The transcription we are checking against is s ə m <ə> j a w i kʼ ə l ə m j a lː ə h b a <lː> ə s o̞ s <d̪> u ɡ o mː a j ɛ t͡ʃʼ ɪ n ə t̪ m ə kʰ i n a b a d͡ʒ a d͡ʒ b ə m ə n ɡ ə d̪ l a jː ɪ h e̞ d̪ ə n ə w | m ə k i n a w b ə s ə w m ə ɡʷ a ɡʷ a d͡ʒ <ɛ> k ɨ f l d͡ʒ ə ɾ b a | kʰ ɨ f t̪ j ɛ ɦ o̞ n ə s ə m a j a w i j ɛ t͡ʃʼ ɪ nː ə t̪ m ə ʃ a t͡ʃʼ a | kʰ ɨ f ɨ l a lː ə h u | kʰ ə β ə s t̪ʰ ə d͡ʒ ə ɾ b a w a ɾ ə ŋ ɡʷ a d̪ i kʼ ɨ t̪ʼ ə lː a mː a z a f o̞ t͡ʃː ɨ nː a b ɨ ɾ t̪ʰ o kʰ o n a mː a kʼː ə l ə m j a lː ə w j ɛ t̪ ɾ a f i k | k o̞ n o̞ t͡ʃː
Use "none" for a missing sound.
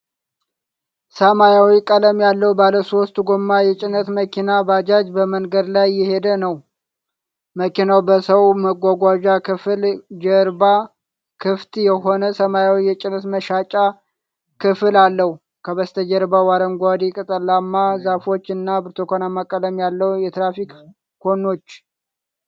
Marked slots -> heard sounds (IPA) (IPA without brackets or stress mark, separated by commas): a, l, t̪, a